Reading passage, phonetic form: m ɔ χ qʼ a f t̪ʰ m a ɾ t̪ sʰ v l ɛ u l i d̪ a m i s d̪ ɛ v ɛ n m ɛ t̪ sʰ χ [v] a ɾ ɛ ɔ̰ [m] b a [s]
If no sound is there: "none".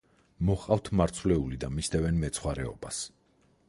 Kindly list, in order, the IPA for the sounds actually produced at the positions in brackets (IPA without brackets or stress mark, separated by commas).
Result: w, none, s